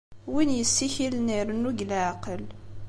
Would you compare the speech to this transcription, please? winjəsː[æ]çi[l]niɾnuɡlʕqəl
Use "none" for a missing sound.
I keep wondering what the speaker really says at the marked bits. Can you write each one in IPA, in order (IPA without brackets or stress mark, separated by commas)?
i, l